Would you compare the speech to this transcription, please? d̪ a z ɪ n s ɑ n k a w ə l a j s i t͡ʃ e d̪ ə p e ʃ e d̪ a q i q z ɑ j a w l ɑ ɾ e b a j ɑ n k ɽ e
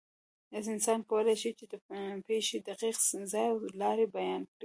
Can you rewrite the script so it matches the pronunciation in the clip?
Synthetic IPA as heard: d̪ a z ɪ n s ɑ n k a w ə l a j ʃ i t͡ʃ e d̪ ə p e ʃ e d̪ a q i q z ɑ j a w l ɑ ɾ e b a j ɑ n k ɽ i